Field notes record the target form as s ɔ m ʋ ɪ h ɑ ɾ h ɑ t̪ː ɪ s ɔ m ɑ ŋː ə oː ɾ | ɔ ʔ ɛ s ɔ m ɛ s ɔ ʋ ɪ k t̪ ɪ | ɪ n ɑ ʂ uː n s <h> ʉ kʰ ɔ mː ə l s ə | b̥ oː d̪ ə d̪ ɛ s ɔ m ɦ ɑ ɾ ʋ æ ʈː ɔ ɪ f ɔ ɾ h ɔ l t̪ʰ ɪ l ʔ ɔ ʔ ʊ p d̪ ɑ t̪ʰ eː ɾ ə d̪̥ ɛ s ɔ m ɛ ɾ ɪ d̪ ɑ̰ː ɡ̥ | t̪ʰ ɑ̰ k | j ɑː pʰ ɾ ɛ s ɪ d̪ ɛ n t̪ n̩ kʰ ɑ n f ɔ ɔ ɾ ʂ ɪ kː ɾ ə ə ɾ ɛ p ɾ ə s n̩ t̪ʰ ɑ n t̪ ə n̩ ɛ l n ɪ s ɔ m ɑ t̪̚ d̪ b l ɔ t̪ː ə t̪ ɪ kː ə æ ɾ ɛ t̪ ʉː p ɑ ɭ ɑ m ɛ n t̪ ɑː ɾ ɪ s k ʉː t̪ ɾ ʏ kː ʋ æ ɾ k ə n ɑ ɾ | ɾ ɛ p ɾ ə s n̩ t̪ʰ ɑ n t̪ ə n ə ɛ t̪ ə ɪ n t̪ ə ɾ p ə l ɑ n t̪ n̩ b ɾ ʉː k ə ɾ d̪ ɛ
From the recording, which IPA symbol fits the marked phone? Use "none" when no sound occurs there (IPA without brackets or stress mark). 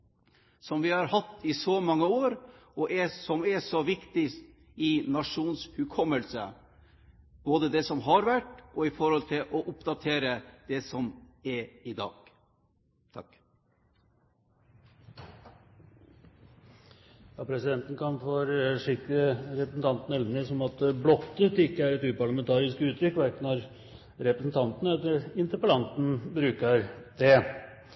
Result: h